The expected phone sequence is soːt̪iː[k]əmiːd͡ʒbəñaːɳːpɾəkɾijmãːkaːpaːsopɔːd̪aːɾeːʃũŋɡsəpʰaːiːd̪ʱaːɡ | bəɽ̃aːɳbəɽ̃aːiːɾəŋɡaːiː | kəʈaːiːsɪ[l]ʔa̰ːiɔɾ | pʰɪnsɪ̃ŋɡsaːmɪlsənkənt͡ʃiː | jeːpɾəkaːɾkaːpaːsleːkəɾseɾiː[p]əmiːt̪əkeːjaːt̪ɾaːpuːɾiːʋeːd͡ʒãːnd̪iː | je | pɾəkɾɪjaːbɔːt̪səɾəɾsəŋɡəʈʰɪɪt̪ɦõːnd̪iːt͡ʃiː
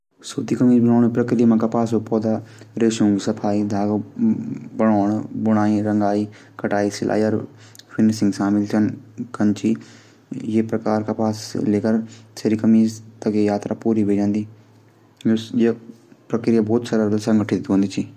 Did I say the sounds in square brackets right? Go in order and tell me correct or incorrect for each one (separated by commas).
correct, correct, incorrect